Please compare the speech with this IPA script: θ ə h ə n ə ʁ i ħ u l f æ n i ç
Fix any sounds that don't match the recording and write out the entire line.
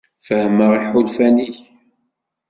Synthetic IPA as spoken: f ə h ə m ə ʁ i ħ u l f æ n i ç